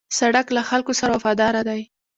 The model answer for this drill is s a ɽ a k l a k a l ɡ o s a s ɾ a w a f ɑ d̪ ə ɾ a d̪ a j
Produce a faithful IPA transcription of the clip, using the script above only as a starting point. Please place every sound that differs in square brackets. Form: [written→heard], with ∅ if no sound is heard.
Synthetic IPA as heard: s a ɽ a k l a [k→x] a l [ɡ→k] o s a [s→∅] ɾ a w a f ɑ d̪ [ə→ɑ] ɾ a d̪ a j